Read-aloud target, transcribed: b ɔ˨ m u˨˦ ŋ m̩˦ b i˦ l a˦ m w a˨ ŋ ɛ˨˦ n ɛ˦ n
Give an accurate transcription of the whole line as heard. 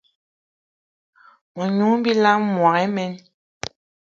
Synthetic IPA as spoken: m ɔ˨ ɲ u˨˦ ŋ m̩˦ b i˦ l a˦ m w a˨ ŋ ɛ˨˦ m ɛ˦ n